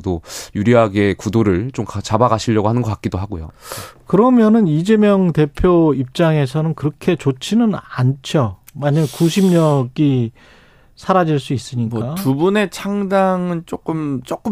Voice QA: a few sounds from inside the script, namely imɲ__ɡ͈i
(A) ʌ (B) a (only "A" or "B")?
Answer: A